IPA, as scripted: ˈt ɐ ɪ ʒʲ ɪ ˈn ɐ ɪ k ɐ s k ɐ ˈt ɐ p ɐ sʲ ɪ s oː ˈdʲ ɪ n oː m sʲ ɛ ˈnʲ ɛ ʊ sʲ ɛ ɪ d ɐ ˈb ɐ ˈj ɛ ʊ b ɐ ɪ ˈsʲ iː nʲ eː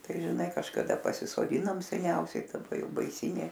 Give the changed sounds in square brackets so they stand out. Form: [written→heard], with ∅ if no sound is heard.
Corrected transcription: ˈt ɐ ɪ ʒʲ ɪ ˈn ɐ ɪ k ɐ [s→ʃ] k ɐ [ˈt→ˈd] ɐ p ɐ sʲ ɪ s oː ˈdʲ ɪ n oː m sʲ ɛ ˈnʲ ɛ ʊ sʲ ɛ ɪ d ɐ ˈb ɐ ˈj ɛ ʊ b ɐ ɪ ˈsʲ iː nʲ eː